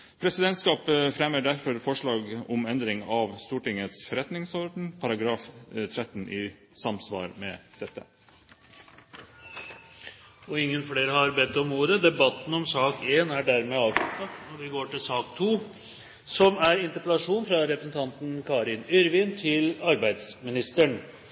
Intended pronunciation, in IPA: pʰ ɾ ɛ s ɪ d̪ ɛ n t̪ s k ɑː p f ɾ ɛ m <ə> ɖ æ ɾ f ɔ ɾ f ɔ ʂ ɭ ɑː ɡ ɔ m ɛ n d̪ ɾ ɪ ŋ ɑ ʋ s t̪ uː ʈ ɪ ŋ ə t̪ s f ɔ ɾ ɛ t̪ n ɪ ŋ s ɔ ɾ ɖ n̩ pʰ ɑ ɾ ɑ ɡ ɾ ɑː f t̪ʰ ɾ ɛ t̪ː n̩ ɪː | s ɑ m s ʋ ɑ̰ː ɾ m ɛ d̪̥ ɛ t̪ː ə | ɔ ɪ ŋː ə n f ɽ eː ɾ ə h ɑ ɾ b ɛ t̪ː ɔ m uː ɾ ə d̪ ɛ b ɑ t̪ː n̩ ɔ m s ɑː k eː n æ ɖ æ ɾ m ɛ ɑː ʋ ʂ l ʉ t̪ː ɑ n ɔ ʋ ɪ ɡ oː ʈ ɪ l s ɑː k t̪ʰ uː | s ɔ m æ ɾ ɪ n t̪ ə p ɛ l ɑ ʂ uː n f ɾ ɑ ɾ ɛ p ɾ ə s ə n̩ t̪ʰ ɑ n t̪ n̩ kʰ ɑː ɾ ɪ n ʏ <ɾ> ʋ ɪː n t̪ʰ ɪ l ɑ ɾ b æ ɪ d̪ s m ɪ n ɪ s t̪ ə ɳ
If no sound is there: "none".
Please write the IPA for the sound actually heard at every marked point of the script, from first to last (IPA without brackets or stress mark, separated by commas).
ə, ɾ